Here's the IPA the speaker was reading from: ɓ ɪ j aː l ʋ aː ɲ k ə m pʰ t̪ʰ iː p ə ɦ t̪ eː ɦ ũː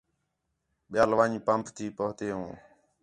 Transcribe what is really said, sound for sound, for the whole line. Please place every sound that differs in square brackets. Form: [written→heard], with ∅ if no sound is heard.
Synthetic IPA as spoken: ɓ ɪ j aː l ʋ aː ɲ [k→p] ə m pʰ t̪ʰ iː p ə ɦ t̪ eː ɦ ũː